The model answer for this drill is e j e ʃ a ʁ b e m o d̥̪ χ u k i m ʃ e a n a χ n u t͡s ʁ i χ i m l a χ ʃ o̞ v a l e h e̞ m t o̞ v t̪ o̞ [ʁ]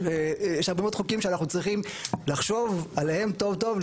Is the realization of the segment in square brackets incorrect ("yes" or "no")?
yes